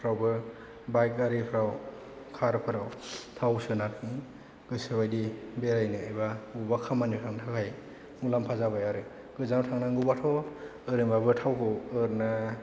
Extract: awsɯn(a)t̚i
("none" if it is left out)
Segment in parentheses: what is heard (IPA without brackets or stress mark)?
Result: a